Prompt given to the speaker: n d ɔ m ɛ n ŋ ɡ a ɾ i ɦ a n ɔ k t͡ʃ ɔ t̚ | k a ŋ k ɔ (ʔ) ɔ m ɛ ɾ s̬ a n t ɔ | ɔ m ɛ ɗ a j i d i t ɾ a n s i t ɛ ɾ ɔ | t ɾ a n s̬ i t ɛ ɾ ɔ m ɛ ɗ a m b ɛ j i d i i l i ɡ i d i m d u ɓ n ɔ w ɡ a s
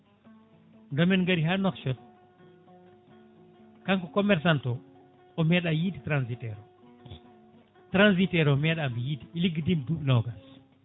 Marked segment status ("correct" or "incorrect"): incorrect